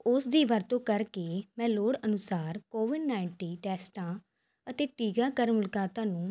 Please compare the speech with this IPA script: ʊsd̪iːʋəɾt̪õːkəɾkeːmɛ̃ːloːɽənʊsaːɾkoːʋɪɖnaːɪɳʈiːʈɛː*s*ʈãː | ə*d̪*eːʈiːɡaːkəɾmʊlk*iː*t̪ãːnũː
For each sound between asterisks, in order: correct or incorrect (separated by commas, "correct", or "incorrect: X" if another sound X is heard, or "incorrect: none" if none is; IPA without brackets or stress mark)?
correct, incorrect: t̪, incorrect: aː